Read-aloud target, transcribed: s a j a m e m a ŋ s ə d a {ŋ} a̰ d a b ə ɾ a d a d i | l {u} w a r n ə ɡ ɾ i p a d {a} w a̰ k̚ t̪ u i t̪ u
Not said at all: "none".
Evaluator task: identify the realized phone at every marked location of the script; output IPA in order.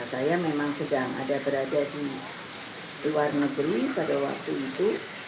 ŋ, u, a

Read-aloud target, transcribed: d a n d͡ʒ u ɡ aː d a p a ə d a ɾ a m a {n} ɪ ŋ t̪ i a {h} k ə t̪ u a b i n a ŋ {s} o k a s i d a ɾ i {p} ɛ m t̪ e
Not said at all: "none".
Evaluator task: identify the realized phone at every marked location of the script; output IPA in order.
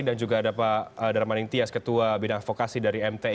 n, s, f, none

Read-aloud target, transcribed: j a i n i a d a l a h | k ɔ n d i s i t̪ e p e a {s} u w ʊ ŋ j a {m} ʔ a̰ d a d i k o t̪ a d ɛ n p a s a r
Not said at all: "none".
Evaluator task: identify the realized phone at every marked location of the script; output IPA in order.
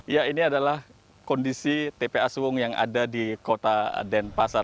s, ŋ

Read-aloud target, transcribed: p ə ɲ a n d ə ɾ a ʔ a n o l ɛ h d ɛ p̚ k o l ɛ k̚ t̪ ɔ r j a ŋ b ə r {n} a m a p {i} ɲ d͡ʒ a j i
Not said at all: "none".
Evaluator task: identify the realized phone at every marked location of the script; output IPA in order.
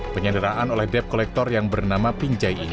n, i

